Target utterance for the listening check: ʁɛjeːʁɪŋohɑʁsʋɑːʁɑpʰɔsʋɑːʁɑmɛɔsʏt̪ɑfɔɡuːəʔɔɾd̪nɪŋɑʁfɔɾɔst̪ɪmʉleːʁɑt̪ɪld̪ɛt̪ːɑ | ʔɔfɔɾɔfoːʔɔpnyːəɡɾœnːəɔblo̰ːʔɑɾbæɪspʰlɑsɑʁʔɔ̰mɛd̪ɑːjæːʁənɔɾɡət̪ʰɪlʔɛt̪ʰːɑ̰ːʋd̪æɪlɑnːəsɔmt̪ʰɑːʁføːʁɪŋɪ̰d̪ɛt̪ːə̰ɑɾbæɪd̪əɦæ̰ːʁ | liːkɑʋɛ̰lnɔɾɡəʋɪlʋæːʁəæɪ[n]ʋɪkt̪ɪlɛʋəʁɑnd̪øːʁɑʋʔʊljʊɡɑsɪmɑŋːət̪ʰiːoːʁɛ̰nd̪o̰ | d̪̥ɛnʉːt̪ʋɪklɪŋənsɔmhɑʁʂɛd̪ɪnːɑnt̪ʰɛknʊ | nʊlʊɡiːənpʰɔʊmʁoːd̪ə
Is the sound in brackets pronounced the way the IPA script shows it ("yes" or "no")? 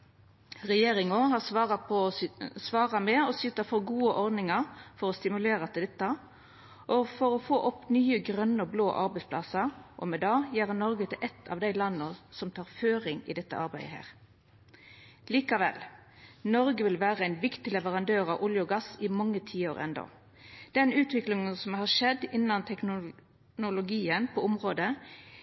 yes